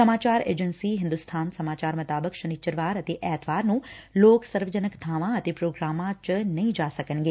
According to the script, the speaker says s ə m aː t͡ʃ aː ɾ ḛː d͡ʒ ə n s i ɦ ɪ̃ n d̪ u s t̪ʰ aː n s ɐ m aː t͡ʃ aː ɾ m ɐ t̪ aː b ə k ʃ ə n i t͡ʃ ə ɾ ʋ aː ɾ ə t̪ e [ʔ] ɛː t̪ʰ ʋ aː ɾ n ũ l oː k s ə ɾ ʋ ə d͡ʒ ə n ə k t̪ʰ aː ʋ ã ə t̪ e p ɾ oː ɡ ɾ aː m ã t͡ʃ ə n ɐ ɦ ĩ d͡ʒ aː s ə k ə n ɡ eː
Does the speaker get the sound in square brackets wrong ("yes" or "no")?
no